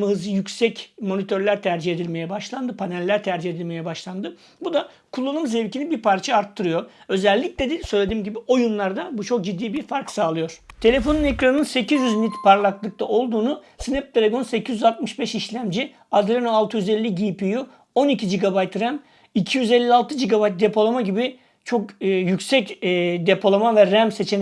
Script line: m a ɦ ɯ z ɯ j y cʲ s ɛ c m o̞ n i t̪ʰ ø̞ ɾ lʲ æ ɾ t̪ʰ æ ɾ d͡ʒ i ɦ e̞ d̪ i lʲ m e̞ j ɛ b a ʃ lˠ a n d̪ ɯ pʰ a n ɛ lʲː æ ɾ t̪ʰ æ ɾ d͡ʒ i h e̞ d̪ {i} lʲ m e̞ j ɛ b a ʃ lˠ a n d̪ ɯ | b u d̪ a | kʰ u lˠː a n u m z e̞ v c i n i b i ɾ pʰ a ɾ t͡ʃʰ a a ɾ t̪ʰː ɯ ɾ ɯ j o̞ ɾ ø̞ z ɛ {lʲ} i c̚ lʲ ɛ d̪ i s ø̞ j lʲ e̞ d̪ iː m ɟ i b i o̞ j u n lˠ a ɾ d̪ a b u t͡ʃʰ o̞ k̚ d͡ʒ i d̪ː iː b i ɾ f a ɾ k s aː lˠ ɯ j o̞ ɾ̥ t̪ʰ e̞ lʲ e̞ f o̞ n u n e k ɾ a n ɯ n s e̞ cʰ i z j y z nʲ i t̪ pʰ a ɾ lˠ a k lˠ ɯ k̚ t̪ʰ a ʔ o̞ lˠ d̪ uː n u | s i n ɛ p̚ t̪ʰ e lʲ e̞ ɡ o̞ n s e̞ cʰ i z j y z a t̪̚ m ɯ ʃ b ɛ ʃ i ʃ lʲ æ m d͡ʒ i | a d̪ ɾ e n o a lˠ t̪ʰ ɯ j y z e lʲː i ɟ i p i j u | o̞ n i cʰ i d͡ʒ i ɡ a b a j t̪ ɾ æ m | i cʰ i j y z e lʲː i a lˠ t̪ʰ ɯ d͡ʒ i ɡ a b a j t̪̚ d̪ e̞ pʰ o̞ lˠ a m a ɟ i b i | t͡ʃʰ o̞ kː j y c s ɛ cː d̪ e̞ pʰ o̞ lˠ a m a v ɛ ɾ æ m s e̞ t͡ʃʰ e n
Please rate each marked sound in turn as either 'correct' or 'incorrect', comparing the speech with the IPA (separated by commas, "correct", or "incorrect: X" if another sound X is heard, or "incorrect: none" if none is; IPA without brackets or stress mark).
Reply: correct, incorrect: lʲː